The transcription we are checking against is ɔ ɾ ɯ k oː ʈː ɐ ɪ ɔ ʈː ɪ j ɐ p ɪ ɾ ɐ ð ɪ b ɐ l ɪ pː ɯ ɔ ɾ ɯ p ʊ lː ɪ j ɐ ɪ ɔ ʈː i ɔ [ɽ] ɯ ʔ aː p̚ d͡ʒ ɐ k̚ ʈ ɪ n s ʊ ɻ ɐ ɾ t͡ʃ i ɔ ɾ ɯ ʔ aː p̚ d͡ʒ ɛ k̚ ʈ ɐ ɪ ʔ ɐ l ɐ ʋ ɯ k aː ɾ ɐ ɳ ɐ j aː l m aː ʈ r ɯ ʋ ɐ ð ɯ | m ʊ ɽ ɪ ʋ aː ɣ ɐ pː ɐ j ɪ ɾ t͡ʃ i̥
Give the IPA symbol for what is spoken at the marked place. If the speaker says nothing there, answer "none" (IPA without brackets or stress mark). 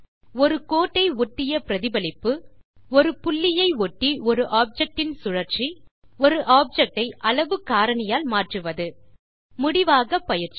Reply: ɾ